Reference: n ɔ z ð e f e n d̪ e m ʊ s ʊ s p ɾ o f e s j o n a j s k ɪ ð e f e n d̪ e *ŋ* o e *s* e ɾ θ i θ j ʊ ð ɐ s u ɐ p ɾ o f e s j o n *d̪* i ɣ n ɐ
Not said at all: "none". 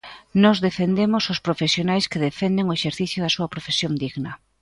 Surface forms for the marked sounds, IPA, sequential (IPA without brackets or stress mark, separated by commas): ŋ, ʃ, d̪